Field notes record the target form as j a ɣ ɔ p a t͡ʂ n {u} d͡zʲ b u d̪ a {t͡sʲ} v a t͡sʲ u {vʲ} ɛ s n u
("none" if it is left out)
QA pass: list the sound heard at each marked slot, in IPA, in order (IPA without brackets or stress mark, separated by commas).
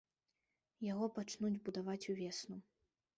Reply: u, none, vʲ